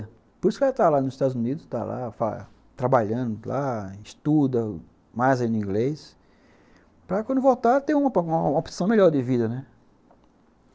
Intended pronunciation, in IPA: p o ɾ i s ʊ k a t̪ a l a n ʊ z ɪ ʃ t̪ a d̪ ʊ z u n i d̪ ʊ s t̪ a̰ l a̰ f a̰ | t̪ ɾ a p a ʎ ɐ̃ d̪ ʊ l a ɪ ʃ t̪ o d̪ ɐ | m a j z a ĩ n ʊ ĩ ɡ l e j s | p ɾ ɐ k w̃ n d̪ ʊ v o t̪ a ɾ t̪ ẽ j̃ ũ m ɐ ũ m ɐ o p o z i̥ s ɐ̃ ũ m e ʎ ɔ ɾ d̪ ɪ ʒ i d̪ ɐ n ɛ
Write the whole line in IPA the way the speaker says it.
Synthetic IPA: p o ɾ i s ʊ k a t̪ a l a n ʊ z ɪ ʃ t̪ a d̪ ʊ z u n i d̪ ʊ s t̪ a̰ l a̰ f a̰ | t̪ ɾ a b a ʎ ɐ̃ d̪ ʊ l a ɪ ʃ t̪ u d̪ ɐ | m a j z a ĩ n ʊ ĩ ɡ l e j s | p ɾ ɐ k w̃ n d̪ ʊ v o t̪ a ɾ t̪ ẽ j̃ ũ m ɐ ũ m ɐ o p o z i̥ s ɐ̃ w̃ m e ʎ ɔ ɾ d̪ ɪ v i d̪ ɐ n ɛ